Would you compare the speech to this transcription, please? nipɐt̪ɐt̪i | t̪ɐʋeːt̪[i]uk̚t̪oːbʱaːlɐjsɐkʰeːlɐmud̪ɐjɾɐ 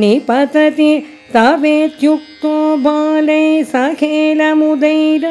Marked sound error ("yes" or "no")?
yes